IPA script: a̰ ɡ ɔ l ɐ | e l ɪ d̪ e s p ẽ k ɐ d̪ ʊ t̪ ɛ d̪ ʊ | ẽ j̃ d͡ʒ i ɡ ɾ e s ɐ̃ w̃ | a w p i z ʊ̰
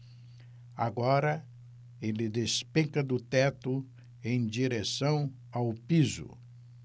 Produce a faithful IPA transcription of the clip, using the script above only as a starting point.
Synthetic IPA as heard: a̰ ɡ ɔ ɾ ɐ | e l ɪ d̪ e s p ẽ k ɐ d̪ ʊ t̪ ɛ t̪ ʊ | ẽ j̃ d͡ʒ i ɾ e s ɐ̃ w̃ | a w p i z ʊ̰